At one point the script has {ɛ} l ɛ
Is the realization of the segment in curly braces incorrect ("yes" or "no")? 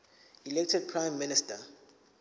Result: yes